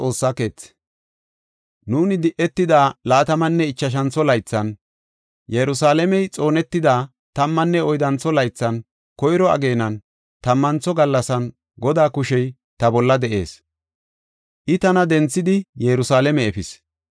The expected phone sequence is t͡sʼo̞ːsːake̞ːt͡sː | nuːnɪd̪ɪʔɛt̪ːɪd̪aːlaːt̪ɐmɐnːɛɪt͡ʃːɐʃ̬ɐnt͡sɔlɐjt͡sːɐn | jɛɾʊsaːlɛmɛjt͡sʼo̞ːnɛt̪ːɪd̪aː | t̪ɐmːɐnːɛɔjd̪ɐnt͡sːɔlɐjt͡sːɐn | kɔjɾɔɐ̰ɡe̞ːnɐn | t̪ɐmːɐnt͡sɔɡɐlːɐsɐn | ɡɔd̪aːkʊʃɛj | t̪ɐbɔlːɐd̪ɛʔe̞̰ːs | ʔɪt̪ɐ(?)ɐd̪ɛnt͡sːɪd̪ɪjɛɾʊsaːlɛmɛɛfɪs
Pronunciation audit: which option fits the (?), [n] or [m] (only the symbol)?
n